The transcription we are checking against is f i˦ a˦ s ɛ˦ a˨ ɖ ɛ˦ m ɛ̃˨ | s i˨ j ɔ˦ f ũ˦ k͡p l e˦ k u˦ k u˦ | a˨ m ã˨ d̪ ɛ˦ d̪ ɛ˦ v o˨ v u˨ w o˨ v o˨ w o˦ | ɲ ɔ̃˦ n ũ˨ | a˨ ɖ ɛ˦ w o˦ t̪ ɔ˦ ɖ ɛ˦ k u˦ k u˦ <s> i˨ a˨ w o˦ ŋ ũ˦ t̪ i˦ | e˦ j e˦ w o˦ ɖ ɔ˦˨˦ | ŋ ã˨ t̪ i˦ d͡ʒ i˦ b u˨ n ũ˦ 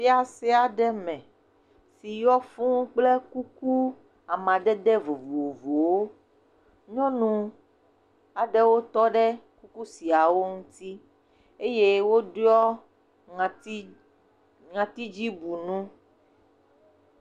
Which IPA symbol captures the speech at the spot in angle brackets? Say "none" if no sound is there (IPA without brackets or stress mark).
s